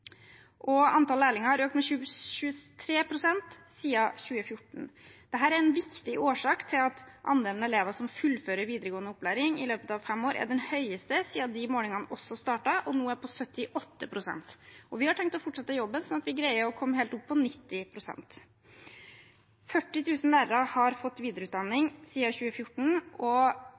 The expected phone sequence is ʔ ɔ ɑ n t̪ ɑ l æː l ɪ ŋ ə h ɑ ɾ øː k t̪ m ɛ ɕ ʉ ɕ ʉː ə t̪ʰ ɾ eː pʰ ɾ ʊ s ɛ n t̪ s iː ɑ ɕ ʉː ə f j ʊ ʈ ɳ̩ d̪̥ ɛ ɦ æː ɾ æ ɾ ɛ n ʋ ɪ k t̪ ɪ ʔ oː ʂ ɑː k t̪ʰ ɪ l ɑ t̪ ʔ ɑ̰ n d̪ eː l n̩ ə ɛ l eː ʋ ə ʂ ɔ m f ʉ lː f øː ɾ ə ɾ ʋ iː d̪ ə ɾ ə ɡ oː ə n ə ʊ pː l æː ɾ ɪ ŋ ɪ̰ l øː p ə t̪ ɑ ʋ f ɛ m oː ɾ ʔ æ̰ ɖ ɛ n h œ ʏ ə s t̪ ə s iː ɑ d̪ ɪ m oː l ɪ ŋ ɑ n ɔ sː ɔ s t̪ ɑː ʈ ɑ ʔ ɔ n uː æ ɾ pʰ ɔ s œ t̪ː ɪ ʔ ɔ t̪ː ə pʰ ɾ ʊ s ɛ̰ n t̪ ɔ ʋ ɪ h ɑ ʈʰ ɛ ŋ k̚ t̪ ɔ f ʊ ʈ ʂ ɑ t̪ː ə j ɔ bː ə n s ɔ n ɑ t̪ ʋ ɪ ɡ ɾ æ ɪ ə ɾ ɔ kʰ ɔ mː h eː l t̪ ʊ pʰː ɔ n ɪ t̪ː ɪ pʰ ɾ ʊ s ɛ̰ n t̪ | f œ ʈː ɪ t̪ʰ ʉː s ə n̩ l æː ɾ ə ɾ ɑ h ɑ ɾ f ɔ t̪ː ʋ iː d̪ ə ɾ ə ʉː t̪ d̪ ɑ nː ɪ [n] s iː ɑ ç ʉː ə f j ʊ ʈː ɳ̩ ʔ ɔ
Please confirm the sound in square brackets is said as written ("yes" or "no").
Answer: no